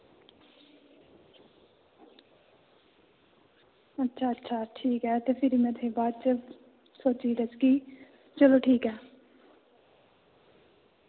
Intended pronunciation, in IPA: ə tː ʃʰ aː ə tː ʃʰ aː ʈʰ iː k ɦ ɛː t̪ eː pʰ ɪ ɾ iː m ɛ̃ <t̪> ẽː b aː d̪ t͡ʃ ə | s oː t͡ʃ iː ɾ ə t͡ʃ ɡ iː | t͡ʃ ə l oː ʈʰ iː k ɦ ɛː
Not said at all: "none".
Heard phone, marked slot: t̪ʰ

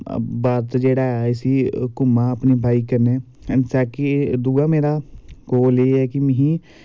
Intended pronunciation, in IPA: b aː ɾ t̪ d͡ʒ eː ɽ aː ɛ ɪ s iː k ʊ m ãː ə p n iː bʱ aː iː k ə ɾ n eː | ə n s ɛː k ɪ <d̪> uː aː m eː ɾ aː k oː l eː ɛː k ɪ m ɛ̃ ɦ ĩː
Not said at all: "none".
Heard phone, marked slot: d̪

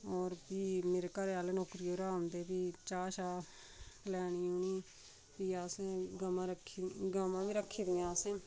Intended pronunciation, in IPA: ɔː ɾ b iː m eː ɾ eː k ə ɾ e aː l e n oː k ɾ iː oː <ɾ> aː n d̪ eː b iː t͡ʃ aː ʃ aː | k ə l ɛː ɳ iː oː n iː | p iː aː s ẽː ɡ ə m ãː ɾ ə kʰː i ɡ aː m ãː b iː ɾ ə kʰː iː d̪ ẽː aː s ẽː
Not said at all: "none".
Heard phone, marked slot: ɾ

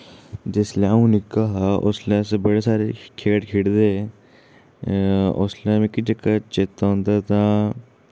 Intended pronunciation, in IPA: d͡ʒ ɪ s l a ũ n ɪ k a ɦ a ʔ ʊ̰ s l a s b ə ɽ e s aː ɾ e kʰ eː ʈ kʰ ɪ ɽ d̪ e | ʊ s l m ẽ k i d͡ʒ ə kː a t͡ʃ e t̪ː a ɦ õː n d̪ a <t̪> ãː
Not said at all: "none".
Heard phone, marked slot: t̪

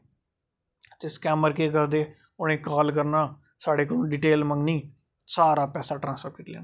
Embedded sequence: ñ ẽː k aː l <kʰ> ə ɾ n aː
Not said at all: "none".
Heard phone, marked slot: k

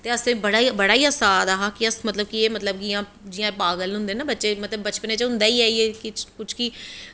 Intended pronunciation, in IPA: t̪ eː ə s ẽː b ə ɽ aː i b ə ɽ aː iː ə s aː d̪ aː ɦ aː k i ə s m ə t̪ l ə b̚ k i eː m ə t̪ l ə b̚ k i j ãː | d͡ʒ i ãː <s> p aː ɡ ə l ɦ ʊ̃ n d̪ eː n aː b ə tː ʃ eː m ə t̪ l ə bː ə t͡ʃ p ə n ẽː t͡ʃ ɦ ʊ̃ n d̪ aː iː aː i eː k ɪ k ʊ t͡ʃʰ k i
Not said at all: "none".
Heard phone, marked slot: none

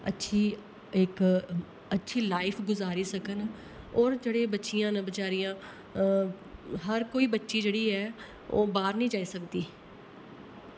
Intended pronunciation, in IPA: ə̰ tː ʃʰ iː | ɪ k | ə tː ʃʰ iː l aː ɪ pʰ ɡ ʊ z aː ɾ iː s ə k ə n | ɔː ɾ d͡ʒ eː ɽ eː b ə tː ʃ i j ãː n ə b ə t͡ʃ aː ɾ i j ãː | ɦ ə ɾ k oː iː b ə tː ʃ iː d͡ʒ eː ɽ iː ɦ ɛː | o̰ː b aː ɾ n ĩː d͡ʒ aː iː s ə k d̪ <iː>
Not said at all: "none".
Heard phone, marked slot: iː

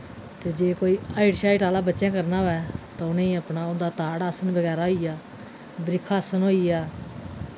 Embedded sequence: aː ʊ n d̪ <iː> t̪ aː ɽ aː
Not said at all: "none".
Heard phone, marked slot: aː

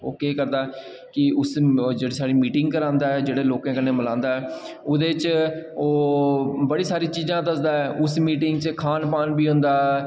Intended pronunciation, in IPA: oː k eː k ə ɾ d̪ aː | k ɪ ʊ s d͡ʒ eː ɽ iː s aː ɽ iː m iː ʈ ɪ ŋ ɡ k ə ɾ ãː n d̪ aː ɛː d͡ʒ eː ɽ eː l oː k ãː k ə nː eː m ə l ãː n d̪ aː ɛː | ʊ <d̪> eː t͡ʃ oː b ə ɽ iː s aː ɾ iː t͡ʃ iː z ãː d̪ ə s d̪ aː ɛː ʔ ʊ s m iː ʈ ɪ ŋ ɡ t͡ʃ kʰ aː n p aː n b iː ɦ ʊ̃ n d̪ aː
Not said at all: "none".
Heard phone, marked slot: d̪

